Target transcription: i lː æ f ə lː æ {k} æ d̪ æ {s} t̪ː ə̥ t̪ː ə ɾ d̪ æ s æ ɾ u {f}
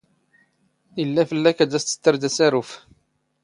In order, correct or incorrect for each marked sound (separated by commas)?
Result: correct, correct, correct